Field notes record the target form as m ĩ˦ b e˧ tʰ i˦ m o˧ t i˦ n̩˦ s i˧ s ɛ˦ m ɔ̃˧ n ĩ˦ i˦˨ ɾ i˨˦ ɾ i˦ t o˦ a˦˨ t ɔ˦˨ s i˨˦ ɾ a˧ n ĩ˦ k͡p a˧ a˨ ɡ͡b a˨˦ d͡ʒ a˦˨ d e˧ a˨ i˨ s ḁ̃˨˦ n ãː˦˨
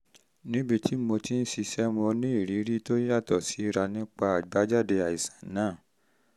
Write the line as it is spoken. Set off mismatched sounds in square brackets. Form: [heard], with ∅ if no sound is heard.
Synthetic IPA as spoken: [n] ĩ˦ b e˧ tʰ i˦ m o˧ t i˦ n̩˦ s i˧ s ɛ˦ m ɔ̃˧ n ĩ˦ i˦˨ ɾ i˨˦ ɾ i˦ t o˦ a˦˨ t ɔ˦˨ s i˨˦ ɾ a˧ n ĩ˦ k͡p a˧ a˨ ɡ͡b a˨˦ d͡ʒ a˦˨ d e˧ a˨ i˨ s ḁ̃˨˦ n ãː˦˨

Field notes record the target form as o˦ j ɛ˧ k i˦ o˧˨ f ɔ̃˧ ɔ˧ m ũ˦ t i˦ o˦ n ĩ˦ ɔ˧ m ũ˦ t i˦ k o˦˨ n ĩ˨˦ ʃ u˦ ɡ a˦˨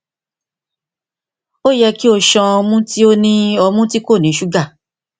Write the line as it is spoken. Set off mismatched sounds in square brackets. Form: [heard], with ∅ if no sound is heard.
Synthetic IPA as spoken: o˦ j ɛ˧ k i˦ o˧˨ [ʃ] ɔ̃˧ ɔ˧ m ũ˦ t i˦ o˦ n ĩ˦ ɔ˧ m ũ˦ t i˦ k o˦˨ n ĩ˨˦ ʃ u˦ ɡ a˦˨

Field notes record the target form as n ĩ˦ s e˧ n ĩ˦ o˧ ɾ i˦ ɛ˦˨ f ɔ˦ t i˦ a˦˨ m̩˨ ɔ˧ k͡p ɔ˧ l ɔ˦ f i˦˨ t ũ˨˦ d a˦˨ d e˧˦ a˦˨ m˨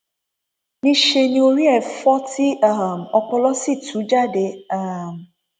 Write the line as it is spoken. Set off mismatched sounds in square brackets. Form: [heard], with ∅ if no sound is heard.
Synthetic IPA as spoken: n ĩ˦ [ʃ] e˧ n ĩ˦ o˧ ɾ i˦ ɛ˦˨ f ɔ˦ t i˦ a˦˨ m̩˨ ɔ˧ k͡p ɔ˧ l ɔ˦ [s] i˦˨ t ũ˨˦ [d͡ʒ] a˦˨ d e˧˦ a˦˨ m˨

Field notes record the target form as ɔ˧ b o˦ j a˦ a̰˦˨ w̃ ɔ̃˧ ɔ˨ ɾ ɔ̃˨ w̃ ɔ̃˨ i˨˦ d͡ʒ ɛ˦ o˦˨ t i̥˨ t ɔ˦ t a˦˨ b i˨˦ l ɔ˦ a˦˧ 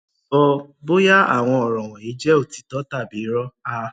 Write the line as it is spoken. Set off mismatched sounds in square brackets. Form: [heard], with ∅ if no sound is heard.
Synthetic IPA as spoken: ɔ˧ b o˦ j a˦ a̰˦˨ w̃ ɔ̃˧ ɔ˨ ɾ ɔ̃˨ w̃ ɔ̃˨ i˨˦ d͡ʒ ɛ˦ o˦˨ t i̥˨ t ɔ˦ t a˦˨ b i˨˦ [ɾ] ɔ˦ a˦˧

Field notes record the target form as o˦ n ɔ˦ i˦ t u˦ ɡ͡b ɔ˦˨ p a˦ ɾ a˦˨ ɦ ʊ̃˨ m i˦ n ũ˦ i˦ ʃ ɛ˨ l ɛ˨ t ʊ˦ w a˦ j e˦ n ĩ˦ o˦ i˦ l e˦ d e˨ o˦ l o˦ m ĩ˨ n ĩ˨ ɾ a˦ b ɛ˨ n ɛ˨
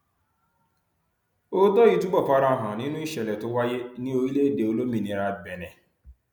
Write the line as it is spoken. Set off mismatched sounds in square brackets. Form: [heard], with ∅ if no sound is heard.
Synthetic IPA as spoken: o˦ [d] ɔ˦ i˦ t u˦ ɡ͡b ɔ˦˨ p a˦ ɾ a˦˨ ɦ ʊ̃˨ [n] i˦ n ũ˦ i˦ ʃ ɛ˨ l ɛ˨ t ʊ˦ w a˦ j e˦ n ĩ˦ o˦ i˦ l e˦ d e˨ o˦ l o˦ m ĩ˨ n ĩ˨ ɾ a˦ b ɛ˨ n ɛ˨

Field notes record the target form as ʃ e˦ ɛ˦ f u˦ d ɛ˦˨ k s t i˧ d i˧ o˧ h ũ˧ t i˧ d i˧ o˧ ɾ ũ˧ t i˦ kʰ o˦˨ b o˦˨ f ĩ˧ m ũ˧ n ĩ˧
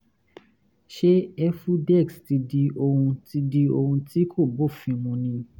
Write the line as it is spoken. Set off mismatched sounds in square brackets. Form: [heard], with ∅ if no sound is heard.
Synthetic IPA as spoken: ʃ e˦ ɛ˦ f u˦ d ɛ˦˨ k s t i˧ d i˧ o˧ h ũ˧ t i˧ d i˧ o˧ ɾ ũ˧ t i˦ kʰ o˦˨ b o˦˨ f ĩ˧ m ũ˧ n ĩ˧

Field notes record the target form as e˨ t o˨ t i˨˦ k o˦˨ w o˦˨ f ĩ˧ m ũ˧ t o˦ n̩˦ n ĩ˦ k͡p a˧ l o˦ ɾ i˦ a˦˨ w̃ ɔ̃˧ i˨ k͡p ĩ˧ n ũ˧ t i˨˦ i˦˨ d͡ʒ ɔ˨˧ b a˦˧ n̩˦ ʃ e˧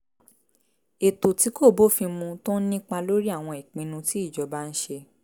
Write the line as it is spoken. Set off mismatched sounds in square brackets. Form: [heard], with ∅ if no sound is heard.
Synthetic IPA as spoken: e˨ t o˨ t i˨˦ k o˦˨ [b] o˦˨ f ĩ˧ m ũ˧ t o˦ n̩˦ n ĩ˦ k͡p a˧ l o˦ ɾ i˦ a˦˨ w̃ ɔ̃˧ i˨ k͡p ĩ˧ n ũ˧ t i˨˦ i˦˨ d͡ʒ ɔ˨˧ b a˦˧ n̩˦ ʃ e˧

